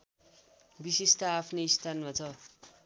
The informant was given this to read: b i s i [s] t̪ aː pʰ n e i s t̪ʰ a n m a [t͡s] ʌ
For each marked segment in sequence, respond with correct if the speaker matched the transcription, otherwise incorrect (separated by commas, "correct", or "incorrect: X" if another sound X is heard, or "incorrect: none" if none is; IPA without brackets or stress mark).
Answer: correct, incorrect: t͡sʰ